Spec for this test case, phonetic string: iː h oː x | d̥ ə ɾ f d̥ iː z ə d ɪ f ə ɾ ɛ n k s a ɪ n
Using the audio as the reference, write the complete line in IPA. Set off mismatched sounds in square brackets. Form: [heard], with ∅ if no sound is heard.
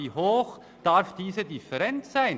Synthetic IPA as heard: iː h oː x | d̥ [a] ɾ f d̥ iː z ə d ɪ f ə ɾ ɛ n [t] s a ɪ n